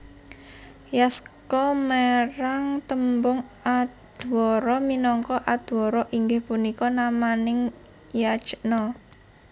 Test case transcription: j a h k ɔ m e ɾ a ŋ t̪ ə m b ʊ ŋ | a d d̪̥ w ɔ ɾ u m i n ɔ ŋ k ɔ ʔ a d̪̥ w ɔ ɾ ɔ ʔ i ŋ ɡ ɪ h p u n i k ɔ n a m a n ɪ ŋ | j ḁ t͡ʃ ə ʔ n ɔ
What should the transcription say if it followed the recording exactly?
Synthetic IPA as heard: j a s k ɔ m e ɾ a ŋ t̪ ə m b ʊ ŋ | a d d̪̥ w ɔ ɾ ɔ m i n ɔ ŋ k ɔ ʔ a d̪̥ w ɔ ɾ ɔ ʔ i ŋ ɡ ɪ h p u n i k ɔ n a m a n ɪ ŋ | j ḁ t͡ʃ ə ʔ n ɔ